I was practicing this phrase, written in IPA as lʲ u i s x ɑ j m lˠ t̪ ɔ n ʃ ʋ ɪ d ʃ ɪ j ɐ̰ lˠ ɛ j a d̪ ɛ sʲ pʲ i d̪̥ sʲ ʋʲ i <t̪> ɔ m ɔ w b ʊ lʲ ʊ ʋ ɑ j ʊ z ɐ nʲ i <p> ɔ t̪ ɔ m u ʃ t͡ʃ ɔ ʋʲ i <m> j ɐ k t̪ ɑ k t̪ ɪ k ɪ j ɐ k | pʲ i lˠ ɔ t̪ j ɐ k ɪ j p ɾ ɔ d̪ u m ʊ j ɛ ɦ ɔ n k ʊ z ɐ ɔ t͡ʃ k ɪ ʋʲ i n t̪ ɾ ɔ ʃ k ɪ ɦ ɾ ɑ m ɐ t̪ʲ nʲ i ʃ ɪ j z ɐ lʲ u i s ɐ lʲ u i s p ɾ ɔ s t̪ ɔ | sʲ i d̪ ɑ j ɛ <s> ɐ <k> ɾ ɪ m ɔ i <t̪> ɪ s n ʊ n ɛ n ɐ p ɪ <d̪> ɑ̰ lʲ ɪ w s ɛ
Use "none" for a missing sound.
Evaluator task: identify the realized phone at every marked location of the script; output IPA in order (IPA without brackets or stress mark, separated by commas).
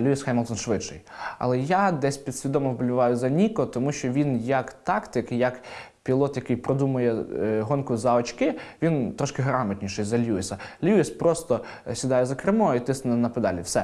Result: d̪, k, n, z, k, t̪, d̪